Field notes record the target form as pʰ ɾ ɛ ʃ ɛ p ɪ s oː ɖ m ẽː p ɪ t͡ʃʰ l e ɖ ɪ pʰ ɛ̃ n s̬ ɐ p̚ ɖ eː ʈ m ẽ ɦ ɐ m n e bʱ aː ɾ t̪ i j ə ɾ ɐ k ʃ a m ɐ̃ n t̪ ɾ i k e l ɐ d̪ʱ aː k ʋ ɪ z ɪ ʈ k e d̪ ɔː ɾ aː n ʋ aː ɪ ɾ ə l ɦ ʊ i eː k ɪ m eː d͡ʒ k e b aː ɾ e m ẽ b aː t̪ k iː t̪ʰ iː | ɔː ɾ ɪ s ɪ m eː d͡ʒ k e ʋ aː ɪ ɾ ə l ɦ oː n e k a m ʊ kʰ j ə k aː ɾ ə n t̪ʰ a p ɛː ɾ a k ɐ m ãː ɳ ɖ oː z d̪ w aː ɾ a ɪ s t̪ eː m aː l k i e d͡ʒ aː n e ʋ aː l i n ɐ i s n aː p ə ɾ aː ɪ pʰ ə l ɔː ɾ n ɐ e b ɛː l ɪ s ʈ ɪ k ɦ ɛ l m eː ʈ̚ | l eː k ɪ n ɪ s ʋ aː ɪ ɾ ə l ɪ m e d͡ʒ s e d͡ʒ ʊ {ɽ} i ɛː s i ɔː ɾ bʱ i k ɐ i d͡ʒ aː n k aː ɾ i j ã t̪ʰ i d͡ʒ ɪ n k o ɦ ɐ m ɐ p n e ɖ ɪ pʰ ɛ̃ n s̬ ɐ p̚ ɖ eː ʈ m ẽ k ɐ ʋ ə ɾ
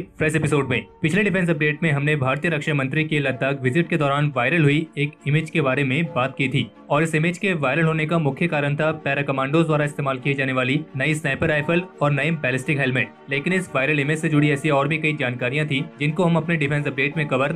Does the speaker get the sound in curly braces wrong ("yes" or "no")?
no